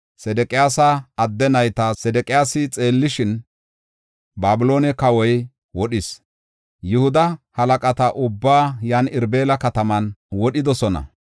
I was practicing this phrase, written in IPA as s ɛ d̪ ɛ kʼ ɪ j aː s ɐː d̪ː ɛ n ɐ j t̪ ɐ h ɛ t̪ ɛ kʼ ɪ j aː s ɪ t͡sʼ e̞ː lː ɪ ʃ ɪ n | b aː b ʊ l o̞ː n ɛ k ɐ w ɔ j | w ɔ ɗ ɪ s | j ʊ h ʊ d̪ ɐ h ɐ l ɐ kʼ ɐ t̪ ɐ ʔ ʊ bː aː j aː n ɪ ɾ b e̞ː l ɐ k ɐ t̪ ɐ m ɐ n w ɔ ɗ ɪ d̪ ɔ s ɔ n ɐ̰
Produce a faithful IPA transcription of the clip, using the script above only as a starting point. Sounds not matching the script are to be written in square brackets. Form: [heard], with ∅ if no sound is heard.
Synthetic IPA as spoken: s ɛ d̪ ɛ kʼ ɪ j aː s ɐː d̪ː ɛ n ɐ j t̪ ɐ [s] ɛ [d̪] ɛ kʼ ɪ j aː s ɪ t͡sʼ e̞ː lː ɪ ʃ ɪ n | b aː b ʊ l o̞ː n ɛ k ɐ w ɔ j | w ɔ ɗ ɪ s | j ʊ h ʊ d̪ ɐ h ɐ l ɐ kʼ ɐ t̪ ɐ ʔ ʊ bː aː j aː n ɪ ɾ b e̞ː l ɐ k ɐ t̪ ɐ m ɐ n w ɔ ɗ ɪ d̪ ɔ s ɔ n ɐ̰